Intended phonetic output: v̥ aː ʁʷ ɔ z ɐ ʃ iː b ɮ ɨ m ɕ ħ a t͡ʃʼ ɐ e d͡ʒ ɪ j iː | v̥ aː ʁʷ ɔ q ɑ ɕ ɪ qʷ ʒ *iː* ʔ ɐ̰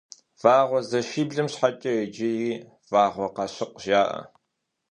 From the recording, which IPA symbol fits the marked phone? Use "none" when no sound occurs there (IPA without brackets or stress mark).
aː